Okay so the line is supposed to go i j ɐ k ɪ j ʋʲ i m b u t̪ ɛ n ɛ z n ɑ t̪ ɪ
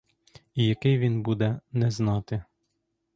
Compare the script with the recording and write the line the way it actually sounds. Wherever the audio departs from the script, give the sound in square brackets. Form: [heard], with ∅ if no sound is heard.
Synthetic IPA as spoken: i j ɐ k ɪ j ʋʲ i [n] b u [d̪] ɛ n ɛ z n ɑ t̪ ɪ